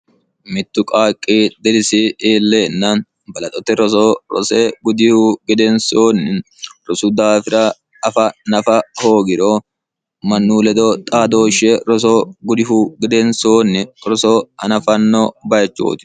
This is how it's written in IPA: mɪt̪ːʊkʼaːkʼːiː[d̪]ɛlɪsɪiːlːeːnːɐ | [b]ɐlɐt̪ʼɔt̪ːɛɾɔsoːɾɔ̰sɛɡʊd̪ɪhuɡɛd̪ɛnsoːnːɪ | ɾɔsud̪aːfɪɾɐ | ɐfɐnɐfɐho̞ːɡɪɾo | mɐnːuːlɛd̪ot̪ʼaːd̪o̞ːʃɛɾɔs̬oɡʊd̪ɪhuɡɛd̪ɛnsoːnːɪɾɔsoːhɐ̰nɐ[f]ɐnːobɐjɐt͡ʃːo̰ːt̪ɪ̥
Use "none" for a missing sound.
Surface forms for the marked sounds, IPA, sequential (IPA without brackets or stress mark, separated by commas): d̪, b, f